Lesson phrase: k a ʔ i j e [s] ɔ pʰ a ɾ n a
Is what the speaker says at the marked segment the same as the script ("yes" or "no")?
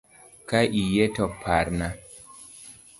no